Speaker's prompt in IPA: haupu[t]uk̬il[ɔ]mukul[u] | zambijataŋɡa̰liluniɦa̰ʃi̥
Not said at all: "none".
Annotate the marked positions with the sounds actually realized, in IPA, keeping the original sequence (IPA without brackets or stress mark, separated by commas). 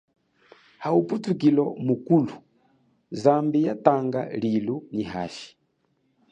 t, ɔ, u